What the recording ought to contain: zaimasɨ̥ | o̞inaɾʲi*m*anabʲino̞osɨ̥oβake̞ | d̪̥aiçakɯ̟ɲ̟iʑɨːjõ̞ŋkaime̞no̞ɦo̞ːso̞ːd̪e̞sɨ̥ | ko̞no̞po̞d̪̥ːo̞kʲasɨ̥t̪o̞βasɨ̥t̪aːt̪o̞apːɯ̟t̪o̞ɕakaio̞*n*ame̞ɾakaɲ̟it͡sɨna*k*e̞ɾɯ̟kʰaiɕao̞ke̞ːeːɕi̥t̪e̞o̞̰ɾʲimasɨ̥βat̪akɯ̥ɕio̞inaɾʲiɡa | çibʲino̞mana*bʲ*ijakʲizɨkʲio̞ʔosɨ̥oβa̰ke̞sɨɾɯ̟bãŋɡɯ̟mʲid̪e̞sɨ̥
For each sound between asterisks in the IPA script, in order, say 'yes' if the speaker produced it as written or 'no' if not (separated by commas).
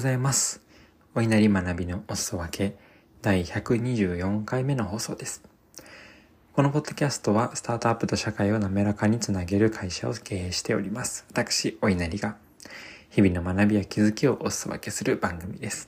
yes, yes, no, yes